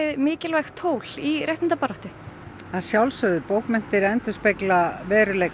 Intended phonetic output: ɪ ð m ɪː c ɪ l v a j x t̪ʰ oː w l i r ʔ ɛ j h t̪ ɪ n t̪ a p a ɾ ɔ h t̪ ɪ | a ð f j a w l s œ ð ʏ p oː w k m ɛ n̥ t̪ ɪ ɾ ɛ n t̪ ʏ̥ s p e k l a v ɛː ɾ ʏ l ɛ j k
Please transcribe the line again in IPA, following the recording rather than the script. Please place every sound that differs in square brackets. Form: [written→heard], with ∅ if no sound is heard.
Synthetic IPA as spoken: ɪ ð m ɪː c ɪ l v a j x t̪ʰ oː w l i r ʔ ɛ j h t̪ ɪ n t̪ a p a ɾ ɔ h t̪ ɪ | a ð [f→s] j a w l s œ ð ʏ p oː w k m ɛ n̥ t̪ ɪ ɾ ɛ n t̪ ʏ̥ s p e k l a v ɛː ɾ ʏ l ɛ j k